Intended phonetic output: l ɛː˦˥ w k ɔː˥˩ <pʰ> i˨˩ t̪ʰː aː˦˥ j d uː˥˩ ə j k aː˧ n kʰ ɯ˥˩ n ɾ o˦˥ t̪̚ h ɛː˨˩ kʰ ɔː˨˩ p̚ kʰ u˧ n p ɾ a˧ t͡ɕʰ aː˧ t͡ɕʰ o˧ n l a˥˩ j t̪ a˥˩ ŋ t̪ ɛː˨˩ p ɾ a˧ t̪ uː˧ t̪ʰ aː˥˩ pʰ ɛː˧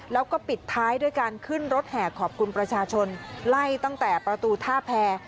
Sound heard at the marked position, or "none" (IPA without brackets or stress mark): p